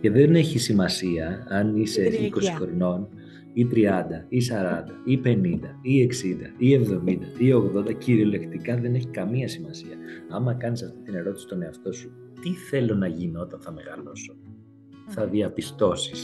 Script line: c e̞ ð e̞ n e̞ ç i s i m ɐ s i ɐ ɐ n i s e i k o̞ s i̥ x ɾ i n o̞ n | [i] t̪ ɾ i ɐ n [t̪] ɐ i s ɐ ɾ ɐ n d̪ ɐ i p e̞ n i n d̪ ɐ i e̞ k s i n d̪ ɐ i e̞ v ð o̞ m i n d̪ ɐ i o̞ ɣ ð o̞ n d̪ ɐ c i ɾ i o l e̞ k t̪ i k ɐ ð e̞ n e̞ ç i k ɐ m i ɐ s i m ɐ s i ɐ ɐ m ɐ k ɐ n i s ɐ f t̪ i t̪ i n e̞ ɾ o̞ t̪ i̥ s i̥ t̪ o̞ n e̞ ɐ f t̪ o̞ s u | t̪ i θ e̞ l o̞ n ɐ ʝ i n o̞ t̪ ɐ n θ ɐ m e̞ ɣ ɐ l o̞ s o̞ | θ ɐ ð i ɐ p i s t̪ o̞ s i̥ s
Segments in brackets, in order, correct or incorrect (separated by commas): correct, incorrect